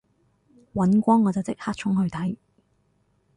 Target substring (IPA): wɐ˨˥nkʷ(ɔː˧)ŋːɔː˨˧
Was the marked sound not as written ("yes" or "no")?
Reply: yes